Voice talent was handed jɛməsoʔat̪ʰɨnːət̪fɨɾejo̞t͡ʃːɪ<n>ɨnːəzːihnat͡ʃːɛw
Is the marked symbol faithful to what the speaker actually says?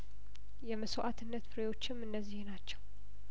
no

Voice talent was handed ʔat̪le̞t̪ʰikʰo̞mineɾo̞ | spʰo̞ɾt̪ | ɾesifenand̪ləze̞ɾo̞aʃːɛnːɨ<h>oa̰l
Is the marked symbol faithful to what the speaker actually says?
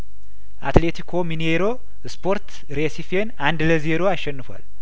no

